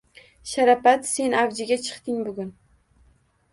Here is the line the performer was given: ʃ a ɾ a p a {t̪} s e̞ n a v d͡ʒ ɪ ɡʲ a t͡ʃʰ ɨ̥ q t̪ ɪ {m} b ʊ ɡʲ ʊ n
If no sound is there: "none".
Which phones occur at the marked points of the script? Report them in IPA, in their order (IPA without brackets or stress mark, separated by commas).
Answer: t̪, ŋ